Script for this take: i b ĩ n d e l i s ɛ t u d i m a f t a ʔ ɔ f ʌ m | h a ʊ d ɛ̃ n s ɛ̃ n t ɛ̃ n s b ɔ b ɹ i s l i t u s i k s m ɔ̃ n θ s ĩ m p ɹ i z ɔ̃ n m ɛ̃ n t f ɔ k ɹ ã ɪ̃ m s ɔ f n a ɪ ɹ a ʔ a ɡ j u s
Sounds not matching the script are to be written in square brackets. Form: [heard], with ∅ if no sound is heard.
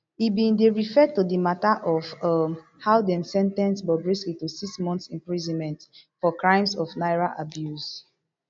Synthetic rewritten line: i b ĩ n d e [ɹ] i [f] ɛ t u d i m a [∅] t a ʔ ɔ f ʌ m | h a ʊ d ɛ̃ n s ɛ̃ n t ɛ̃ n s b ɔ b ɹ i s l i t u s i k s m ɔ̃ n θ s ĩ m p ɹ i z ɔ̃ n m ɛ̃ n t f ɔ k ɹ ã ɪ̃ m s ɔ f n a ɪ ɹ a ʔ a [b] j u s